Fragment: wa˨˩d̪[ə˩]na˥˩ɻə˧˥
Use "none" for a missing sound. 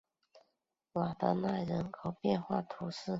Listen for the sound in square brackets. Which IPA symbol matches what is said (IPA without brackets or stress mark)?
ə˧˦